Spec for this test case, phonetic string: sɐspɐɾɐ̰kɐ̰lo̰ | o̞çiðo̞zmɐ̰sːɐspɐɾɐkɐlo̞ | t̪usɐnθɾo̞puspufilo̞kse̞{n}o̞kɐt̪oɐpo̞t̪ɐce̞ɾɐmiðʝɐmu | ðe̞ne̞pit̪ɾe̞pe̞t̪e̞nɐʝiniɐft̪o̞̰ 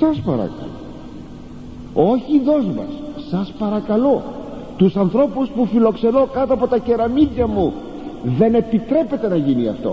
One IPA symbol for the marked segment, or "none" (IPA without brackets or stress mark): n